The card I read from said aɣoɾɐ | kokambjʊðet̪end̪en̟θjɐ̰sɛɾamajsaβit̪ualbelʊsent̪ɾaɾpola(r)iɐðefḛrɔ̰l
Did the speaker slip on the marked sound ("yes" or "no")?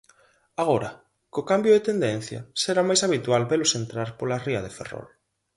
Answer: no